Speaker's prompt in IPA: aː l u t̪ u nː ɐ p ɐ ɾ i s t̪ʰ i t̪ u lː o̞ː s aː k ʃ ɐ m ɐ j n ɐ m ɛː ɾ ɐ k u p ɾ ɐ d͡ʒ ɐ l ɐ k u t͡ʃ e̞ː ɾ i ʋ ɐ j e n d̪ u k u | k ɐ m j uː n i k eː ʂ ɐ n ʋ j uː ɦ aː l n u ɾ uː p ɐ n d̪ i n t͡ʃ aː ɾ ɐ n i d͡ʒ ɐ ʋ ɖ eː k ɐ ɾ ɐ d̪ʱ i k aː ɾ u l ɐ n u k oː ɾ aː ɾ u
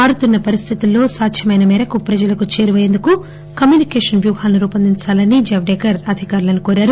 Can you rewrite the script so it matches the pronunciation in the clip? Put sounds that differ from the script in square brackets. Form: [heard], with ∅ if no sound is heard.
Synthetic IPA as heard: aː [ɽ] u t̪ u nː ɐ p ɐ ɾ i s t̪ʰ i t̪ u lː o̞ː s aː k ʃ ɐ m ɐ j n ɐ m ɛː ɾ ɐ k u p ɾ ɐ d͡ʒ ɐ l ɐ k u t͡ʃ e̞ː ɾ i ʋ ɐ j e n d̪ u k u | k ɐ m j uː n i k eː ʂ ɐ n ʋ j uː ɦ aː l n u ɾ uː p ɐ n d̪ i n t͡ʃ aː [l] ɐ n i d͡ʒ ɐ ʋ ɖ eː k ɐ ɾ ɐ d̪ʱ i k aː ɾ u l ɐ n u k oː ɾ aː ɾ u